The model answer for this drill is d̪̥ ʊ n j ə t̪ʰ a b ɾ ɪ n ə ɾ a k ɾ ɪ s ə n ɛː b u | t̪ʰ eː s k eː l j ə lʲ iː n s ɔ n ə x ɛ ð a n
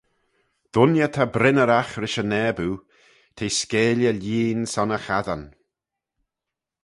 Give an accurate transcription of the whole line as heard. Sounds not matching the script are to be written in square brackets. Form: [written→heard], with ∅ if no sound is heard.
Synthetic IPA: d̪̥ ʊ n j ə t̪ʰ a b ɾ ɪ n ə ɾ a [k→x] ɾ ɪ [s→ʃ] ə n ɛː b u | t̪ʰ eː s k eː l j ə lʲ iː n s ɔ n ə x [ɛ→a] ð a n